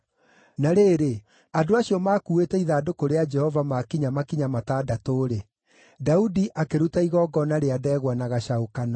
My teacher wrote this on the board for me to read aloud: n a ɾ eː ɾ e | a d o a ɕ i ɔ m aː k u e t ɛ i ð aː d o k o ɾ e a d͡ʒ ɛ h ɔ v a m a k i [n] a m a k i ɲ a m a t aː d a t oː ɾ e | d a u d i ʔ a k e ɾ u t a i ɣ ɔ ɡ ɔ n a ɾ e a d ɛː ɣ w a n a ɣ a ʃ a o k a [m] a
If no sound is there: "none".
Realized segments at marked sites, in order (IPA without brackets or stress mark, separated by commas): ɲ, n